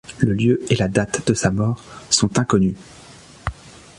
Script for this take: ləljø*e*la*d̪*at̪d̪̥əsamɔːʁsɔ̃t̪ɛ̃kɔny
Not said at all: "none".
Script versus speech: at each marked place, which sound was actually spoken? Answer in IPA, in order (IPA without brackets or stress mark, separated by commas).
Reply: e, d̪